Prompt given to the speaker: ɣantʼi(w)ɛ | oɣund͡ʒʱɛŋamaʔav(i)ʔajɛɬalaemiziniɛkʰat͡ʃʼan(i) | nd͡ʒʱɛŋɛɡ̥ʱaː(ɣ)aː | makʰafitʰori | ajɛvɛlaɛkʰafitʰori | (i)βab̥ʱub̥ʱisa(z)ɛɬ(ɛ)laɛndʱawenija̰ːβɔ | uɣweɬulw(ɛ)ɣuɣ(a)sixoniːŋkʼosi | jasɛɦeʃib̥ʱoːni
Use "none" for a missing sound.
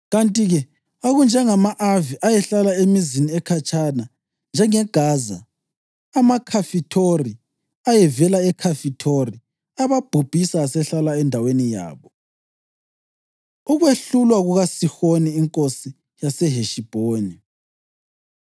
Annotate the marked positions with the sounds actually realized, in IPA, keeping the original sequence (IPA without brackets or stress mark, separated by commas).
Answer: ɣ, i, a, z, a, s, a, a, a